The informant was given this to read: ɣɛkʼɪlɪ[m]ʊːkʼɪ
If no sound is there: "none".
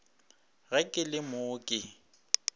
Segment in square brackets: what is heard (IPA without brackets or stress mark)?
m